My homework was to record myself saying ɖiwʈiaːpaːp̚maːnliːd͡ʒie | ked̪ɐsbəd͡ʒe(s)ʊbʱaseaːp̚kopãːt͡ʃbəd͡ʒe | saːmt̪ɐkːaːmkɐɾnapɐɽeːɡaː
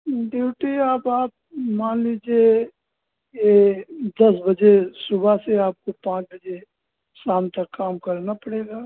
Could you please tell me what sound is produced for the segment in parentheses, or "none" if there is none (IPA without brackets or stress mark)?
s